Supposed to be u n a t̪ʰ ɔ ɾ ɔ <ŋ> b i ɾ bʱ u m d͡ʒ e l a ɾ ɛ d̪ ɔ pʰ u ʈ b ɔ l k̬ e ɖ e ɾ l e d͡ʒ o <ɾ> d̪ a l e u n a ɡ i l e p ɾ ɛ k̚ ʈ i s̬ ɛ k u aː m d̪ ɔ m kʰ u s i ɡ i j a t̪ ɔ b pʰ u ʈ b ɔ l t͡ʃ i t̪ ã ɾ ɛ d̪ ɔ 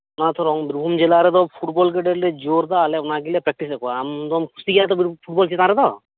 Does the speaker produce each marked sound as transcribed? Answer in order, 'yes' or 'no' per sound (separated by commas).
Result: yes, yes